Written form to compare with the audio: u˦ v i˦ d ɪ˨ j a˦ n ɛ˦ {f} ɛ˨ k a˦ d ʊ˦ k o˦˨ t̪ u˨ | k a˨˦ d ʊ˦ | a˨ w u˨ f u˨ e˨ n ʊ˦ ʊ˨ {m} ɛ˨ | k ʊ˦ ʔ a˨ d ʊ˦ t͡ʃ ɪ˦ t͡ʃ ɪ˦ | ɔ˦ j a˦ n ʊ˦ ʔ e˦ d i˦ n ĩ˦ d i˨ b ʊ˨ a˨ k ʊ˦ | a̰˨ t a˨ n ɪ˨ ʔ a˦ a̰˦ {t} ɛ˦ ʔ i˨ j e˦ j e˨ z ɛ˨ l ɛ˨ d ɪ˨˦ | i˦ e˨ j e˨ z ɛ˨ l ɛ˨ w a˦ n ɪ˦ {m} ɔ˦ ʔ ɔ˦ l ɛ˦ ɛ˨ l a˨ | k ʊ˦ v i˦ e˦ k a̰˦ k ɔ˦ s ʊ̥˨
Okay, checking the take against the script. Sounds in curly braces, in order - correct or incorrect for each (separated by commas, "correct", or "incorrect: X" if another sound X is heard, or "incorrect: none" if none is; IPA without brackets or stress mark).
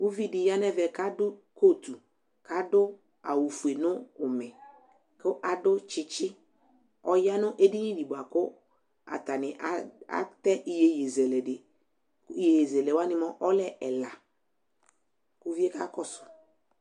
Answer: incorrect: v, correct, correct, correct